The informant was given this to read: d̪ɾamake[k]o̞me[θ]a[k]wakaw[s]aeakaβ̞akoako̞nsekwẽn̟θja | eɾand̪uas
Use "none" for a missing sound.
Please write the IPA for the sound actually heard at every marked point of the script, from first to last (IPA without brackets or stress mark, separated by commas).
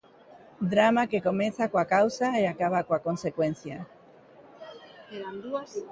k, θ, k, s